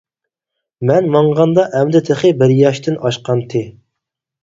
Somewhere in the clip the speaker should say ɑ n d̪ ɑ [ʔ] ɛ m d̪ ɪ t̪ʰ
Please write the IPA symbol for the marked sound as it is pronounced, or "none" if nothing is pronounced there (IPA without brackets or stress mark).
ʔ